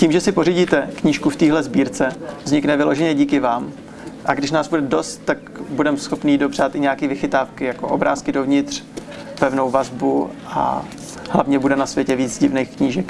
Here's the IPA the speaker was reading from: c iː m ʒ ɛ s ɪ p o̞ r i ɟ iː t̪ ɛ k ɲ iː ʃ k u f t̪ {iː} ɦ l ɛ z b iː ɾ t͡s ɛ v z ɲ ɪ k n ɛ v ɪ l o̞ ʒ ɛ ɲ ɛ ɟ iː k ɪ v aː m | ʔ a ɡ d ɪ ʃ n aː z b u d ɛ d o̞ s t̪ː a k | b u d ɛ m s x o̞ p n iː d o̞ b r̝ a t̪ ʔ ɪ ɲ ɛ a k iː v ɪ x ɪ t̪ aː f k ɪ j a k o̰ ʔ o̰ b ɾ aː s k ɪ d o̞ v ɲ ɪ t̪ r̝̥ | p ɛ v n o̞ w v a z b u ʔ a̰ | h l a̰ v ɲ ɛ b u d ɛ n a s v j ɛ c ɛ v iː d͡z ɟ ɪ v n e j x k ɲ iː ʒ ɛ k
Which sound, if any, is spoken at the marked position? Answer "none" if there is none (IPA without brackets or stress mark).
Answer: iː